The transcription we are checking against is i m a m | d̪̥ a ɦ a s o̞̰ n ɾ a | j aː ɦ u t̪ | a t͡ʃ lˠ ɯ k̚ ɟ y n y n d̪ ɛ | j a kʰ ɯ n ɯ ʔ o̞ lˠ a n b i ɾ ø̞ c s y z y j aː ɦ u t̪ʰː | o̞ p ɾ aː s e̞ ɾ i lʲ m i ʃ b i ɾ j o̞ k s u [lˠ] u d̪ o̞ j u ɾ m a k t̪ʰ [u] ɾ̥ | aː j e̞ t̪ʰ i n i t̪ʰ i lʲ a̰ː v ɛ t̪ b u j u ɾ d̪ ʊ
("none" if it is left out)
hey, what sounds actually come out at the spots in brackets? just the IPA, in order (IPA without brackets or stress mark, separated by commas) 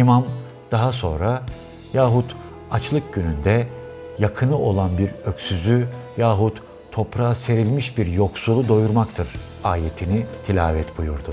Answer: lˠ, ɯ